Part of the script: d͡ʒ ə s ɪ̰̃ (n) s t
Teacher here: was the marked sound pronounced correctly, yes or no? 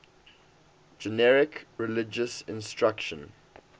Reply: yes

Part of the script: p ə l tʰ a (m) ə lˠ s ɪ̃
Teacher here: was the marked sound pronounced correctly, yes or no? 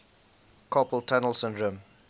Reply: no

